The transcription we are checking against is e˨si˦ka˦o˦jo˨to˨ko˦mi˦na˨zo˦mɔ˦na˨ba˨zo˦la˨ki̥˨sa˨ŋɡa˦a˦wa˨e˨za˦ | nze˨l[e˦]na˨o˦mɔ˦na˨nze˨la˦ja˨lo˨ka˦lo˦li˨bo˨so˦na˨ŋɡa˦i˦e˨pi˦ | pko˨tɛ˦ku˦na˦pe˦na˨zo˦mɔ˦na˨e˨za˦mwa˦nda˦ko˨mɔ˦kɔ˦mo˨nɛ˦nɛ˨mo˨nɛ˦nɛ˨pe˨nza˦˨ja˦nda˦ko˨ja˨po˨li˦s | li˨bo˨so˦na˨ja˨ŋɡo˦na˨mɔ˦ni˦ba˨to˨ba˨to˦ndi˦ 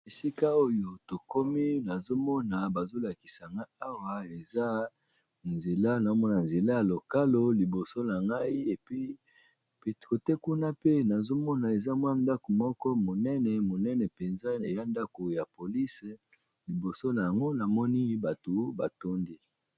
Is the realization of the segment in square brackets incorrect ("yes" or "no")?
yes